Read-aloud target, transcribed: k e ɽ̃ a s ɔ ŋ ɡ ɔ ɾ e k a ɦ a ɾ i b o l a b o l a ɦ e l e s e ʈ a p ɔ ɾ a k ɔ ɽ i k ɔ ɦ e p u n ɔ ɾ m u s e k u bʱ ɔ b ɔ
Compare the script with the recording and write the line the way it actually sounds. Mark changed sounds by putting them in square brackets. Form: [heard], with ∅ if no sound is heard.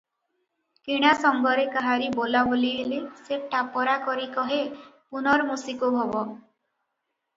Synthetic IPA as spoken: k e ɽ̃ a s ɔ ŋ ɡ ɔ ɾ e k a ɦ a ɾ i b o l a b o l [i] ɦ e l e s e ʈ a p ɔ ɾ a k ɔ [ɾ] i k ɔ ɦ e p u n ɔ ɾ m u s [i] k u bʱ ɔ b ɔ

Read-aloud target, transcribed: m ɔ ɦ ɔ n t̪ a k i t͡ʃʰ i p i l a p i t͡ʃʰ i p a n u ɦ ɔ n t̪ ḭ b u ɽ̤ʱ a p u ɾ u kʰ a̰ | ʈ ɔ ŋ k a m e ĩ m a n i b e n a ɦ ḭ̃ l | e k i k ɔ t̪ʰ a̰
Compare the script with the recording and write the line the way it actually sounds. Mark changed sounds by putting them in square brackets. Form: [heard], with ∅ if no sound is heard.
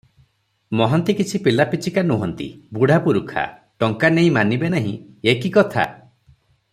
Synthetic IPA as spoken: m ɔ ɦ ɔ n t̪ [i] k i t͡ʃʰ i p i l a p i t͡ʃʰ i [k] a n u ɦ ɔ n t̪ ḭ b u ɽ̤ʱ a p u ɾ u kʰ a̰ | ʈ ɔ ŋ k a [n] e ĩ m a n i b e n a ɦ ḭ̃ [∅] | e k i k ɔ t̪ʰ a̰

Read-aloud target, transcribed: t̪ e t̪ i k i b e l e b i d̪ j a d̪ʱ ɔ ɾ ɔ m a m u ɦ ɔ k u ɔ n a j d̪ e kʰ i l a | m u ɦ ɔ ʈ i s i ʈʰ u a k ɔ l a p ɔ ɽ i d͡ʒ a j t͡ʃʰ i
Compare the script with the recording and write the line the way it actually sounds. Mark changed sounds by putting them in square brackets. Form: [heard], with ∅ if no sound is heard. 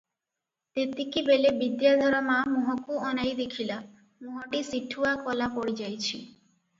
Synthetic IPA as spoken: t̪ e t̪ i k i b e l e b i d̪ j a d̪ʱ ɔ ɾ ɔ m a m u ɦ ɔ k u ɔ n a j d̪ e kʰ i l a | m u ɦ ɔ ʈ i s i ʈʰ u a k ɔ l a p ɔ ɽ i d͡ʒ a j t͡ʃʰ i

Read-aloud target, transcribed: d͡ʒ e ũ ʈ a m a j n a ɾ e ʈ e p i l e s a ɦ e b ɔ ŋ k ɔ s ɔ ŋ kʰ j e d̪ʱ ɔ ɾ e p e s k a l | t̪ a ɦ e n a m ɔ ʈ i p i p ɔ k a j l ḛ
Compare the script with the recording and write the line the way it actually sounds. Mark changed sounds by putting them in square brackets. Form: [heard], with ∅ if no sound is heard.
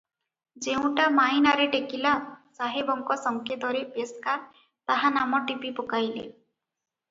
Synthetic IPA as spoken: d͡ʒ e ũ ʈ a m a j n a ɾ e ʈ e [k] i l [a] s a ɦ e b ɔ ŋ k ɔ s ɔ ŋ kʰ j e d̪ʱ ɔ ɾ e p e s k a [ɾ] | t̪ a ɦ [a] n a m ɔ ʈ i p i p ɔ k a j l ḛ

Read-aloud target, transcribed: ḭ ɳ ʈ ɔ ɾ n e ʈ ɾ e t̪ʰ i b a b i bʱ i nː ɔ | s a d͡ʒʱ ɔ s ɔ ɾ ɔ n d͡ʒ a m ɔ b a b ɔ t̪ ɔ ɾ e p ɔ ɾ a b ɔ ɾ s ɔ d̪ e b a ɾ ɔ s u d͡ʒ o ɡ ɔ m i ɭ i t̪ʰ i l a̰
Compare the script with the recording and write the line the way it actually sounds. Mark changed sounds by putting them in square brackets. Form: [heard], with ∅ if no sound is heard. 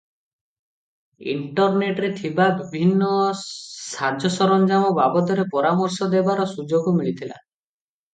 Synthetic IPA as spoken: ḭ ɳ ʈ ɔ ɾ n e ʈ ɾ e t̪ʰ i b a b i bʱ i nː ɔ | s a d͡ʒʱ ɔ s ɔ ɾ ɔ n d͡ʒ a m ɔ b a b ɔ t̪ ɔ ɾ e p ɔ ɾ a [m] ɔ ɾ s ɔ d̪ e b a ɾ ɔ s u d͡ʒ o ɡ ɔ m i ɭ i t̪ʰ i l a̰

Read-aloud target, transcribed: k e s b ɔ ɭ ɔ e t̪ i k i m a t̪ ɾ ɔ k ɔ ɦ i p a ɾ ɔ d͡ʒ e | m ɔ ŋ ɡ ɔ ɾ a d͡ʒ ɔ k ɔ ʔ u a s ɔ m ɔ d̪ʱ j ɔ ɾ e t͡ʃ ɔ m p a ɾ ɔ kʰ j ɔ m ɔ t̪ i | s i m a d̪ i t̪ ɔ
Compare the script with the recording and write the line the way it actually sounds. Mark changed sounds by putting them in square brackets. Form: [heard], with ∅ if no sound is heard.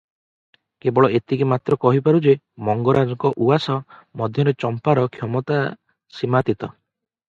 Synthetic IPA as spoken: k e [∅] b ɔ ɭ ɔ e t̪ i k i m a t̪ ɾ ɔ k ɔ ɦ i p a ɾ [u] d͡ʒ e | m ɔ ŋ ɡ ɔ ɾ a d͡ʒ ɔ k ɔ ʔ u a s ɔ m ɔ d̪ʱ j ɔ ɾ e t͡ʃ ɔ m p a ɾ ɔ kʰ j ɔ m ɔ t̪ [a] | s i m a [t̪] i t̪ ɔ

